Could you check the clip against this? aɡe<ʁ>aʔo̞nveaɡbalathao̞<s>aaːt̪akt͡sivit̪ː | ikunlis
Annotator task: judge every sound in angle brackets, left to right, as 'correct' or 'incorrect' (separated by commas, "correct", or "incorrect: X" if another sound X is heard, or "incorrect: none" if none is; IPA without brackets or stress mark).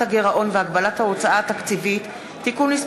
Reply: correct, incorrect: t͡s